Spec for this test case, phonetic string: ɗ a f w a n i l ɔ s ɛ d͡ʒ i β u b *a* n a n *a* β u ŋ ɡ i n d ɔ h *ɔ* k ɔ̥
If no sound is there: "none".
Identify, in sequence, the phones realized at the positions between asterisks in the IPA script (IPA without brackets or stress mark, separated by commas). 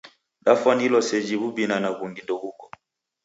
i, a, u